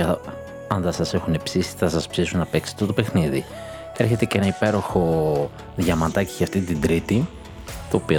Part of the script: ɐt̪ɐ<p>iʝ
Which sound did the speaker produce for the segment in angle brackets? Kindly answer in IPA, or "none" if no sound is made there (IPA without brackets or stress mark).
c